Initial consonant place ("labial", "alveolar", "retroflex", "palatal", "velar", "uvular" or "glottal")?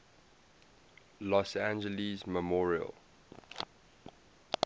alveolar